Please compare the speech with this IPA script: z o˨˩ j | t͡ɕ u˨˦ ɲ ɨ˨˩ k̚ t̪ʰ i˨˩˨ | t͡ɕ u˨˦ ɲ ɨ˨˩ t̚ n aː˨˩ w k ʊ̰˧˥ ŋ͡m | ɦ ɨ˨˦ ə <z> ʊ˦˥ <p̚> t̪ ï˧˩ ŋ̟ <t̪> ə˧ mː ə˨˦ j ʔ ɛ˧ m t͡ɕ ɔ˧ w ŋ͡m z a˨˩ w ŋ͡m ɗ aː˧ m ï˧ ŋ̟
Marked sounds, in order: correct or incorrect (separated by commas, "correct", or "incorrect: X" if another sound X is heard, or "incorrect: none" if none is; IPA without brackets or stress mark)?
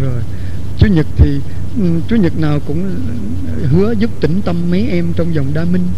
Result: correct, correct, correct